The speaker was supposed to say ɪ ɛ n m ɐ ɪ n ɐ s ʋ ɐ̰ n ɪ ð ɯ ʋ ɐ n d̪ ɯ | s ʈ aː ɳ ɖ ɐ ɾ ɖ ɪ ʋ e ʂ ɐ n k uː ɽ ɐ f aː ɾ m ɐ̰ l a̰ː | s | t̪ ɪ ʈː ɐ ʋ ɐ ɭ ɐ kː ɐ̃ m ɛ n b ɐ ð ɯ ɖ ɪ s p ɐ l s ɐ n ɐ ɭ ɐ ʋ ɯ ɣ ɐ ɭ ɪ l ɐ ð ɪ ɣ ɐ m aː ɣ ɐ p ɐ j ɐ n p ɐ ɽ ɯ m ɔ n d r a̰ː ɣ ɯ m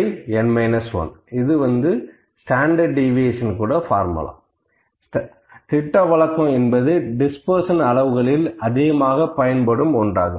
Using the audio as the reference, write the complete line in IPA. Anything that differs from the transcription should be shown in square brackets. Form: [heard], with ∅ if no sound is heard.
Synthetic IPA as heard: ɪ ɛ n m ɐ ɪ n ɐ s ʋ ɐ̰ n ɪ ð ɯ ʋ ɐ n d̪ ɯ | s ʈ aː ɳ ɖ ɐ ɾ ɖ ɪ ʋ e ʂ ɐ n k uː ɽ ɐ f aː ɾ m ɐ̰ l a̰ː | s | t̪ ɪ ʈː ɐ ʋ ɐ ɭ ɐ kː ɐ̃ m ɛ n b ɐ ð ɯ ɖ ɪ s p ɐ [ɾ] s ɐ n ɐ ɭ ɐ ʋ ɯ ɣ ɐ ɭ ɪ l ɐ ð ɪ ɣ ɐ m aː ɣ ɐ p ɐ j ɐ n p ɐ ɽ ɯ m ɔ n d r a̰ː ɣ ɯ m